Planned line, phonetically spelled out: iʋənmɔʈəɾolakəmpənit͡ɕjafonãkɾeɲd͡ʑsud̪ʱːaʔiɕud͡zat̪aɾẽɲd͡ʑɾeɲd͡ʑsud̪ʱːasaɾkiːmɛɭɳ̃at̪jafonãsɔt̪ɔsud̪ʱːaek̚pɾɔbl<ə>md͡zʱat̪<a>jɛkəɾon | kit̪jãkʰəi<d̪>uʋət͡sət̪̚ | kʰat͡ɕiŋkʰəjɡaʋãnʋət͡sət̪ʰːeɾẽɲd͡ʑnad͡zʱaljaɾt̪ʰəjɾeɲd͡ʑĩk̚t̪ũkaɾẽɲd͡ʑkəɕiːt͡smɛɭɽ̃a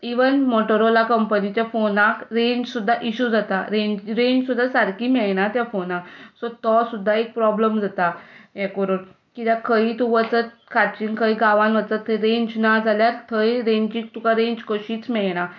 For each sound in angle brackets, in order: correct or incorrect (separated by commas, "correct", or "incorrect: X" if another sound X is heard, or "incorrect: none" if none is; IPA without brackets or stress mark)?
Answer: correct, correct, incorrect: t̪